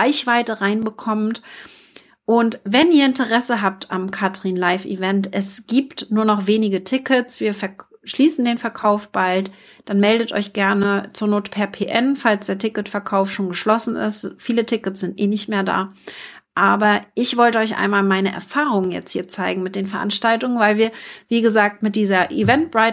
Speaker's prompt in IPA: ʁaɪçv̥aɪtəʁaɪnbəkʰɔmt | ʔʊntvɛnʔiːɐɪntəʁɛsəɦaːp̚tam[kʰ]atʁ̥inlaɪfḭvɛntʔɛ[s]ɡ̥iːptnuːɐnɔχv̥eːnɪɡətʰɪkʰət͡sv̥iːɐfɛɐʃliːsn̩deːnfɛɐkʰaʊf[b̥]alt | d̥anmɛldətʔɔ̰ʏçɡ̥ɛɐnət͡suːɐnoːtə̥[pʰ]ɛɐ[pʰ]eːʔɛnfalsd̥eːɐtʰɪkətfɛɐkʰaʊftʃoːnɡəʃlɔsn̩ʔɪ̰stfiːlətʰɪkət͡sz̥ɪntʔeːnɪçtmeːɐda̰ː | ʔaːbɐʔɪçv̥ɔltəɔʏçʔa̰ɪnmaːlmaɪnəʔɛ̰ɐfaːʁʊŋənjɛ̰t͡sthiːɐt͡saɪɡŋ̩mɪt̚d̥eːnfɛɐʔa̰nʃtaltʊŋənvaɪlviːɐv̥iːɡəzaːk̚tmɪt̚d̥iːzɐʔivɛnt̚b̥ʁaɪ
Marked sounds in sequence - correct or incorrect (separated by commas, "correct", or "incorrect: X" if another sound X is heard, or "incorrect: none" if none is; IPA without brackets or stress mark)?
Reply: correct, correct, correct, correct, correct